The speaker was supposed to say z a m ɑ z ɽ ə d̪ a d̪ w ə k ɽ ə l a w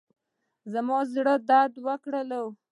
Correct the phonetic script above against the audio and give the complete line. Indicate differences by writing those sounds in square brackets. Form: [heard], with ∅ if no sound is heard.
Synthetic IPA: z a m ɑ z ɽ ə d̪ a d̪ w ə k ɽ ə l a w